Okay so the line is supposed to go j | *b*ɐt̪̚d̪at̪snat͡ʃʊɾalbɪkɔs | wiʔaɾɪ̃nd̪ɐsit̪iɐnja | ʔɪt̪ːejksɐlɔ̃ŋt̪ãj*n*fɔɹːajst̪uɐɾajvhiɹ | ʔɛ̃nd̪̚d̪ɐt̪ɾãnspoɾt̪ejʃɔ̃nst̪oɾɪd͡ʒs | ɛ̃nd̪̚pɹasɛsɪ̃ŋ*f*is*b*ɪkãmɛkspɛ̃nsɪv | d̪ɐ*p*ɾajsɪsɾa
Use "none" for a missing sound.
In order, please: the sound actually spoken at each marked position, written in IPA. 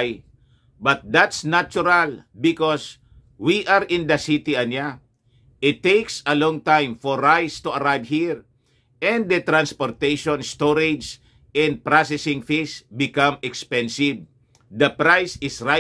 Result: b, m, f, b, p

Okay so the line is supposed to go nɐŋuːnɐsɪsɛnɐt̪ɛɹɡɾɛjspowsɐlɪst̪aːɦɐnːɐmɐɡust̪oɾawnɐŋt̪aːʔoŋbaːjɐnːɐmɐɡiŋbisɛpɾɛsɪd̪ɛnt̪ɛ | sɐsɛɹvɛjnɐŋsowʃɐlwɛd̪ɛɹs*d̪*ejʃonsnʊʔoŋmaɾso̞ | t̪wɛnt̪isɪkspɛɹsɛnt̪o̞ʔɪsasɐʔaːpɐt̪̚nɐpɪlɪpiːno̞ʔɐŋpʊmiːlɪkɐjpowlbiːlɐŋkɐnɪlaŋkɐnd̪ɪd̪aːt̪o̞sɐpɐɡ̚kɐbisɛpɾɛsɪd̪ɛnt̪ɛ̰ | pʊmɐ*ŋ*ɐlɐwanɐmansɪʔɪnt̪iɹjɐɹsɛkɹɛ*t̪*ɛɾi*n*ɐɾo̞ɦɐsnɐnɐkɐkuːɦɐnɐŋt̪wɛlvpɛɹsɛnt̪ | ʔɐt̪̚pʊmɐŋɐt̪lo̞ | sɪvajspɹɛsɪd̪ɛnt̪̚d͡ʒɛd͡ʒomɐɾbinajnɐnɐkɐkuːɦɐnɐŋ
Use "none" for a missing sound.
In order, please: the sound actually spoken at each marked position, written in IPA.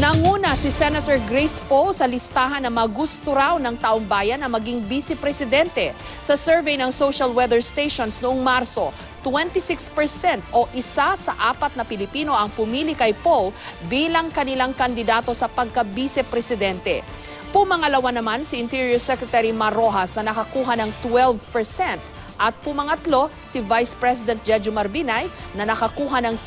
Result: t̪, ŋ, t̪, m

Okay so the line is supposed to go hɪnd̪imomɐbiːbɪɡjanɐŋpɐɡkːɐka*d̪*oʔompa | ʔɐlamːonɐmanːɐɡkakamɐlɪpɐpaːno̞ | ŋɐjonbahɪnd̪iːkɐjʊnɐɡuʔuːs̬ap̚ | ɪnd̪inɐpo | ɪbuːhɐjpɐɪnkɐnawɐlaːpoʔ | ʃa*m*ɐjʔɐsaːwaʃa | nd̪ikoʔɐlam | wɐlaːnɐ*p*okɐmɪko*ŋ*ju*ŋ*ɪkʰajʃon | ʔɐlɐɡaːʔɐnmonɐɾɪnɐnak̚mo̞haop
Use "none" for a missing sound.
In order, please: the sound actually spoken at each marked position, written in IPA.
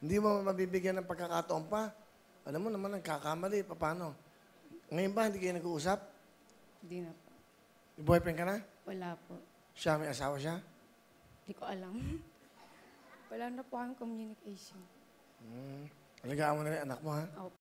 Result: t̪, m, p, m, n

